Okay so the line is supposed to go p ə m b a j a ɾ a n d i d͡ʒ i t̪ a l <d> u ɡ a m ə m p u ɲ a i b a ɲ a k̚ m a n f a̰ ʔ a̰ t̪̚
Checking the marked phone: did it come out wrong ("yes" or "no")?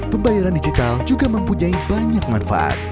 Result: yes